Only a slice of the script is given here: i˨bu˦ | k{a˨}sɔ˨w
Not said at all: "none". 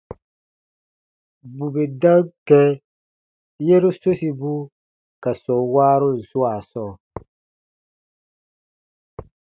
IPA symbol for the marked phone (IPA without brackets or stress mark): a˨